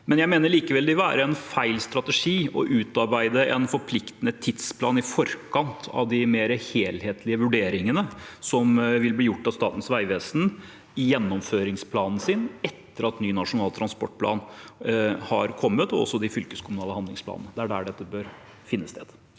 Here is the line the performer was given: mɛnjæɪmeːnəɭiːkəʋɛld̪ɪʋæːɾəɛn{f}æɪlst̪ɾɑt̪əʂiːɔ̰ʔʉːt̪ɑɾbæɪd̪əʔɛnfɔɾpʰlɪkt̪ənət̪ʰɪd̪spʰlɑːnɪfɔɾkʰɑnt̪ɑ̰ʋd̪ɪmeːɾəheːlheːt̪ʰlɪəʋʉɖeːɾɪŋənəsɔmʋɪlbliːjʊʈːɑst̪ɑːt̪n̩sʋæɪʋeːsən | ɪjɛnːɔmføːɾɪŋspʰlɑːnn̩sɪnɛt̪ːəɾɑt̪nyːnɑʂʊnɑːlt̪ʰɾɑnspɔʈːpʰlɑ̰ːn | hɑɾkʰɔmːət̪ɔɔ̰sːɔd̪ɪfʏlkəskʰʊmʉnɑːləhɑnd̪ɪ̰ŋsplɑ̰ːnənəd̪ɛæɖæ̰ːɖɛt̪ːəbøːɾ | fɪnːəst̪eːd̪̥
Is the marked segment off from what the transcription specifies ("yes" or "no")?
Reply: no